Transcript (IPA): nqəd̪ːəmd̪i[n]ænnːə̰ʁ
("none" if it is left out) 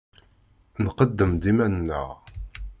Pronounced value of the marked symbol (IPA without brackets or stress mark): m